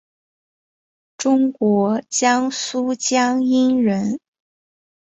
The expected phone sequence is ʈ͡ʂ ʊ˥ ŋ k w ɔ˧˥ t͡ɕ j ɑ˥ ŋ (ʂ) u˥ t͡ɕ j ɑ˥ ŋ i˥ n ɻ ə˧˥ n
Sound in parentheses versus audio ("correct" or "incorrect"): incorrect